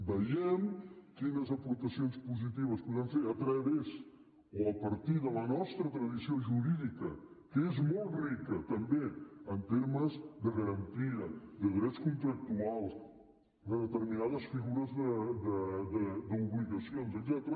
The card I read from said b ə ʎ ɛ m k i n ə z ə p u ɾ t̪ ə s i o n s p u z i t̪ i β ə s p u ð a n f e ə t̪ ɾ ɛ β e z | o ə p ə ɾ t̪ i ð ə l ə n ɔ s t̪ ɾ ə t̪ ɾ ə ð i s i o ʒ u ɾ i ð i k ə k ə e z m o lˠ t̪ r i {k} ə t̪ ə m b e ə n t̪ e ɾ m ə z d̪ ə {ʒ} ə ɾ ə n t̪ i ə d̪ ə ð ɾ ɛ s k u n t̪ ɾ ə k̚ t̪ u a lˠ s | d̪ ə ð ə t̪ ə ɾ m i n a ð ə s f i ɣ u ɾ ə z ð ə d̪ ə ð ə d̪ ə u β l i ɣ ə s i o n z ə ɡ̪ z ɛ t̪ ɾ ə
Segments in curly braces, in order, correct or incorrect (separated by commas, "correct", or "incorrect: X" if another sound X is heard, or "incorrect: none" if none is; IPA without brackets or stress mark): correct, incorrect: ɣ